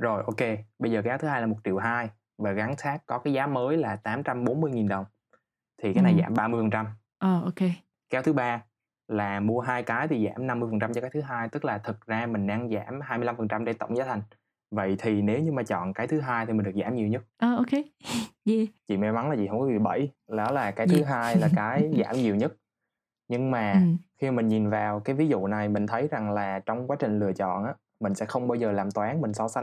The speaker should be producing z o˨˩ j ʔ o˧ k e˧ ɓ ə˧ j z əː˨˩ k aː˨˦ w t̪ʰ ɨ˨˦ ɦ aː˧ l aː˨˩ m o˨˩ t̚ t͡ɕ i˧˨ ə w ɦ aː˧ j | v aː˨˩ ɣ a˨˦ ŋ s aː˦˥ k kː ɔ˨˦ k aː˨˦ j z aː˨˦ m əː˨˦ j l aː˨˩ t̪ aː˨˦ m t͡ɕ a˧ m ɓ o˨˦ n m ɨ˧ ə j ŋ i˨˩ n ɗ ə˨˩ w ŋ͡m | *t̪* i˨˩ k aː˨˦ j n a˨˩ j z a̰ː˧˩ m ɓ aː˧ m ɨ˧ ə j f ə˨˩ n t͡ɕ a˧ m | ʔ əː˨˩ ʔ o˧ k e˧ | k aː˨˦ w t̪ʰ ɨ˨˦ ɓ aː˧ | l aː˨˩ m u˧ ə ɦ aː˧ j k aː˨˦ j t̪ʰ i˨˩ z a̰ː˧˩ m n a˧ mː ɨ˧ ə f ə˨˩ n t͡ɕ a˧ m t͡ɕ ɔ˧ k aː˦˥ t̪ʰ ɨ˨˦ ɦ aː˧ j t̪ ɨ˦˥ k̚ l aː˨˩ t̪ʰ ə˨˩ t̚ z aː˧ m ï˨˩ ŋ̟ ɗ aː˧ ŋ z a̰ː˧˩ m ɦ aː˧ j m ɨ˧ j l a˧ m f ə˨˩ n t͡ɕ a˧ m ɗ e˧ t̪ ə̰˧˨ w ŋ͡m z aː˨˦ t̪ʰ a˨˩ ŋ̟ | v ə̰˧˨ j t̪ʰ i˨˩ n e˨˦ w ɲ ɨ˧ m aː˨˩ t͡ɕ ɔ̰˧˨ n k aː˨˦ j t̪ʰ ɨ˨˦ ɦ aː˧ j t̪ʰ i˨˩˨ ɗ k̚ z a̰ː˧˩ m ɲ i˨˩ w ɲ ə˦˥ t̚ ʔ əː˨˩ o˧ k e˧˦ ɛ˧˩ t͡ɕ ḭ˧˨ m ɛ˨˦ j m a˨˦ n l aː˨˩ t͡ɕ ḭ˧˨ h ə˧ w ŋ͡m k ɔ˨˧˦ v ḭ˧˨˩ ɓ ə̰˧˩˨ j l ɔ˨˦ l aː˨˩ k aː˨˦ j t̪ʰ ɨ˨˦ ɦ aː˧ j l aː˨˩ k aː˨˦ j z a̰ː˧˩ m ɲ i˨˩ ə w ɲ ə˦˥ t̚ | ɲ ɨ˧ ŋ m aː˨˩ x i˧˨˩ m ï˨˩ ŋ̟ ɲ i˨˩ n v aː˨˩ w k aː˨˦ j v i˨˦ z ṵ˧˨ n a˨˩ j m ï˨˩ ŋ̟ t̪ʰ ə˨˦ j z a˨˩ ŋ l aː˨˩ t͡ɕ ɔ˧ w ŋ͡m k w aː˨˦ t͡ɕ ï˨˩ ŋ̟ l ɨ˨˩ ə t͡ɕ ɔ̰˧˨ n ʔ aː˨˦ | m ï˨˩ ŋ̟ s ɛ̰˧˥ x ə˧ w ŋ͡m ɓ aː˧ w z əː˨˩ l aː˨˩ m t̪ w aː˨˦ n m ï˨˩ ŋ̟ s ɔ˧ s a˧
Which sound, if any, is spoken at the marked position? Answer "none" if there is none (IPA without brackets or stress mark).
t̪ʰ